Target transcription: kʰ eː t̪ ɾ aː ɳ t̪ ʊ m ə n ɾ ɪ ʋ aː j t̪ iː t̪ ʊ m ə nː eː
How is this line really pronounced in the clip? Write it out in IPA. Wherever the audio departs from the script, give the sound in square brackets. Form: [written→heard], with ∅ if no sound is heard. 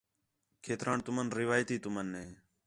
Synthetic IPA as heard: kʰ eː t̪ ɾ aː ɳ t̪ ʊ m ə n ɾ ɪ ʋ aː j t̪ iː t̪ ʊ m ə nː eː